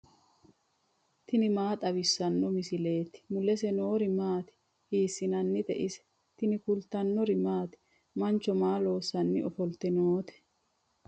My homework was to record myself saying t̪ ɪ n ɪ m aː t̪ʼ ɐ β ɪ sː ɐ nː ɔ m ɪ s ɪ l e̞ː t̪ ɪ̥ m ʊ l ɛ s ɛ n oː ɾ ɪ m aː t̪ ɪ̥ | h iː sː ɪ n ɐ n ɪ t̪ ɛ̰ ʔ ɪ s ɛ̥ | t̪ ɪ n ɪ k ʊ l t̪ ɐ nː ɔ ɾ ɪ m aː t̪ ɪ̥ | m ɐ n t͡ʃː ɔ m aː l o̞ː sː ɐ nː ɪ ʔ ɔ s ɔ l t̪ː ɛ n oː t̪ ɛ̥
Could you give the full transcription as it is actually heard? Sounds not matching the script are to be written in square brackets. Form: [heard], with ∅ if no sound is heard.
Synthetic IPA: t̪ ɪ n ɪ m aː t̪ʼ ɐ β ɪ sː ɐ nː ɔ m ɪ s ɪ l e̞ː t̪ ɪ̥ m ʊ l ɛ s ɛ n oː ɾ ɪ m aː t̪ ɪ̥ | h iː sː ɪ n ɐ [nː] ɪ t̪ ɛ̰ ʔ ɪ s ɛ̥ | t̪ ɪ n ɪ k ʊ l t̪ ɐ nː ɔ ɾ ɪ m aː t̪ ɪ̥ | m ɐ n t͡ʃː ɔ m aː l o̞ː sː ɐ nː ɪ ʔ ɔ [f] ɔ l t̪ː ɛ n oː t̪ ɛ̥